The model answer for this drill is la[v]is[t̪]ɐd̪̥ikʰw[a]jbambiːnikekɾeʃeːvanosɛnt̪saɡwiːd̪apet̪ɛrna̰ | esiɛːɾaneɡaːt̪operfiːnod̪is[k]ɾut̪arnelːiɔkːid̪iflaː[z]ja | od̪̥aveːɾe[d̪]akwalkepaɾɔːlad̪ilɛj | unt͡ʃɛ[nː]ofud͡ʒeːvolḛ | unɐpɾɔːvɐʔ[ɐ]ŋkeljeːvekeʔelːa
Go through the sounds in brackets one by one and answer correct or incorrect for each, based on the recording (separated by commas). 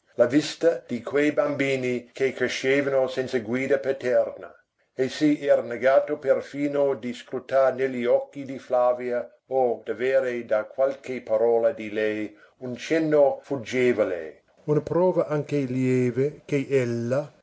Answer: correct, correct, incorrect, correct, incorrect, correct, correct, incorrect